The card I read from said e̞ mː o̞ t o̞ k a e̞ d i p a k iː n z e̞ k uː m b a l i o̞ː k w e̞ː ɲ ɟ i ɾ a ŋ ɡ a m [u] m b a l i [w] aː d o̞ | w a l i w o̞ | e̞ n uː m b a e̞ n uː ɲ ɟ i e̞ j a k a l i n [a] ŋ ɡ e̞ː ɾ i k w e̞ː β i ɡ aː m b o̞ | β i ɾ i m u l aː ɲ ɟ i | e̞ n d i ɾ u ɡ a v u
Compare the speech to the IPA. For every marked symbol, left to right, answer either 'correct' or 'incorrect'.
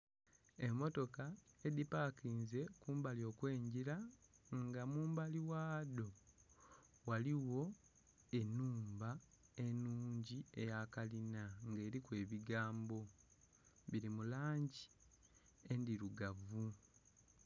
incorrect, correct, correct

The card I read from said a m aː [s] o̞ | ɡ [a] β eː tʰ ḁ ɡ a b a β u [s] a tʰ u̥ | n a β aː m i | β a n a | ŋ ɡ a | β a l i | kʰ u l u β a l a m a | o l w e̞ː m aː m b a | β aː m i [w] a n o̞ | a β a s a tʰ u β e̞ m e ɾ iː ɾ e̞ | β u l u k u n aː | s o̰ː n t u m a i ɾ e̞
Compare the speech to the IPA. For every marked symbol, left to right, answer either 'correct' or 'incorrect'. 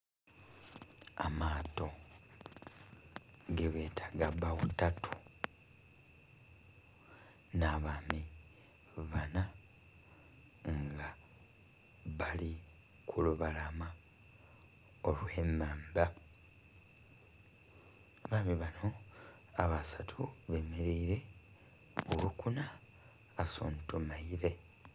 incorrect, incorrect, incorrect, incorrect

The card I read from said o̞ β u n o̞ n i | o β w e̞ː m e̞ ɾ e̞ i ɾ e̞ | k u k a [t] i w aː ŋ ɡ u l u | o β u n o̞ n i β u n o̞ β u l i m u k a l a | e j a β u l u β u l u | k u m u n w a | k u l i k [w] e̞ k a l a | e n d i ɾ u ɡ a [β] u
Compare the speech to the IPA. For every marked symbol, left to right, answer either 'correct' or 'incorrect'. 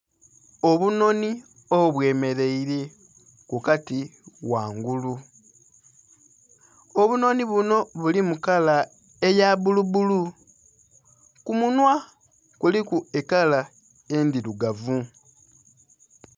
correct, incorrect, incorrect

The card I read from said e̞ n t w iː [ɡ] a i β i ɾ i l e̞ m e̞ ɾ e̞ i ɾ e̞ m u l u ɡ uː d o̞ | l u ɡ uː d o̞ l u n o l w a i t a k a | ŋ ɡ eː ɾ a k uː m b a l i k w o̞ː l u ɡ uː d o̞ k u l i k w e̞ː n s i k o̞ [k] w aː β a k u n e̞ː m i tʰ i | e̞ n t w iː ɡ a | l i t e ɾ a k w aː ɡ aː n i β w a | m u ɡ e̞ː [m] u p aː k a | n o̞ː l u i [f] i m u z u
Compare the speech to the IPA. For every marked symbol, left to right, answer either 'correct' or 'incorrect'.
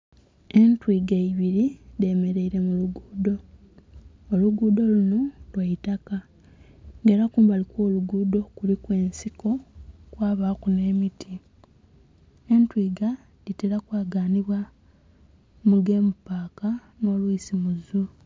correct, correct, correct, incorrect

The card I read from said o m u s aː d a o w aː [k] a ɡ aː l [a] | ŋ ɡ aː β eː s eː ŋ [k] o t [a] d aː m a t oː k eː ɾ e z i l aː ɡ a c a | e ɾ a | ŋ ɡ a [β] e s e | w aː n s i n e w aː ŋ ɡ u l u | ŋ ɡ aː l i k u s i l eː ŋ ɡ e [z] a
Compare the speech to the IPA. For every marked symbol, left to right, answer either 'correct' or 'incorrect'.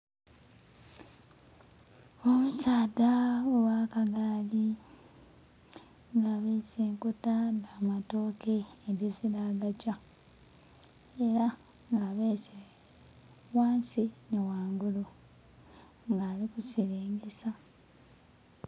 correct, incorrect, correct, correct, correct, incorrect

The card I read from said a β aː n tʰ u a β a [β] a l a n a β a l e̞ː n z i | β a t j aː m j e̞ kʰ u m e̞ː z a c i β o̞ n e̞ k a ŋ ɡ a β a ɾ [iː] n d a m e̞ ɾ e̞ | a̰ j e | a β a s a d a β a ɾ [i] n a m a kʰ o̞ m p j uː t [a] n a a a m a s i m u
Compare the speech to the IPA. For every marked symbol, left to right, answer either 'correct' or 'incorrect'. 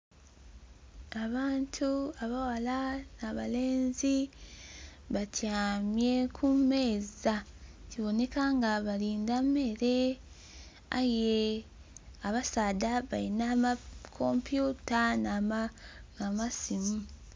incorrect, correct, correct, correct

